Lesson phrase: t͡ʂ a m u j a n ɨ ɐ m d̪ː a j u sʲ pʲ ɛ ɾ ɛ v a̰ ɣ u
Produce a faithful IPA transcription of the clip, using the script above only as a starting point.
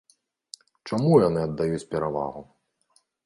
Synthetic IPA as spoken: t͡ʂ a m u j a n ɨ ɐ d̪ː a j u t͡sʲ pʲ ɛ ɾ a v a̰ ɣ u